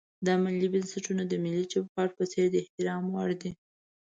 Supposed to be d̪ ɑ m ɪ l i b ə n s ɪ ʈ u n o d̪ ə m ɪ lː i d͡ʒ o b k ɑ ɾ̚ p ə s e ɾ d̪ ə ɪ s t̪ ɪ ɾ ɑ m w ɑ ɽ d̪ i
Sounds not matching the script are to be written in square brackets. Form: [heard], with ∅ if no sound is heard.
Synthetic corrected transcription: d̪ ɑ m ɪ l i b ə n s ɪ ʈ u n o d̪ ə m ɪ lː i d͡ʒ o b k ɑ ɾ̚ p ə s e ɾ d̪ ə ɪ [h] t̪ ɪ ɾ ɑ m w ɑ ɽ d̪ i